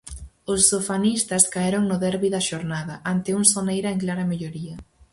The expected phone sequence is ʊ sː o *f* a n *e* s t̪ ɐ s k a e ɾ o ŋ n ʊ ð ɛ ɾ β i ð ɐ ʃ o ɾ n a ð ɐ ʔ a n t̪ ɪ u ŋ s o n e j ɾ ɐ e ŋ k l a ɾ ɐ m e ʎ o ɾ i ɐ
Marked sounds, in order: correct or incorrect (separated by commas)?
correct, incorrect